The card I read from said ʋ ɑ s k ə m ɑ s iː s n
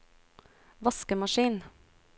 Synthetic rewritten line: ʋ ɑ s k ə m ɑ ʃ iː n